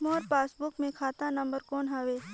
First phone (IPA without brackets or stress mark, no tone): m